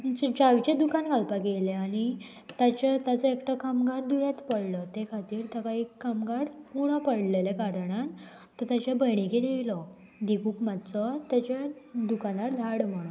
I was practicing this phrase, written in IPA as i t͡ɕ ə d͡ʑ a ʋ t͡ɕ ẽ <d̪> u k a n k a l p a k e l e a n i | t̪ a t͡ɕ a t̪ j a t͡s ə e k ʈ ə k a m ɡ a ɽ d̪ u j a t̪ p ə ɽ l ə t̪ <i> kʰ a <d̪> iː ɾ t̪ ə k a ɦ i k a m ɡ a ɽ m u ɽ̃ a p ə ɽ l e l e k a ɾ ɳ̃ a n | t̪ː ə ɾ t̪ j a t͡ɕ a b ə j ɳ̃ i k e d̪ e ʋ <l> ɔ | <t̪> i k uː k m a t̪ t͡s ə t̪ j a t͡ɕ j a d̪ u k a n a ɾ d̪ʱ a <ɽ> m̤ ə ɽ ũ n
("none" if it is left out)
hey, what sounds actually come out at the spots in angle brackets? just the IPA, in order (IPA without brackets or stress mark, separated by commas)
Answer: d̪, e, t̪, l, d̪, ɽ